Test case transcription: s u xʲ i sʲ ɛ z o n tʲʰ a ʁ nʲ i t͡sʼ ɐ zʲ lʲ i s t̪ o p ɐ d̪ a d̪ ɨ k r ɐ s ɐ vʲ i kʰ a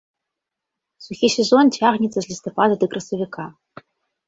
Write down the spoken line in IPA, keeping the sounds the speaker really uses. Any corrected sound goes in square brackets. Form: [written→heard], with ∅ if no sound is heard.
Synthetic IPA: s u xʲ i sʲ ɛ z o n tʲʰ a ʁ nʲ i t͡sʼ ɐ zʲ lʲ i s t̪ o p [ɐ→a] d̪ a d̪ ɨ k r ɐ s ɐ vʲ i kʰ a